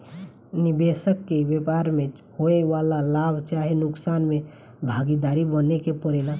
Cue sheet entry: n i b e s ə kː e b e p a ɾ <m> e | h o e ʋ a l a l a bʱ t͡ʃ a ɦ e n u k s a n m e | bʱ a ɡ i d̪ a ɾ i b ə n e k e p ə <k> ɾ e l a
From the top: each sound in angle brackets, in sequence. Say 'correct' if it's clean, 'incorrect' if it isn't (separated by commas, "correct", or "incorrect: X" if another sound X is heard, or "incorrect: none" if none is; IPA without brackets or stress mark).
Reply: correct, incorrect: none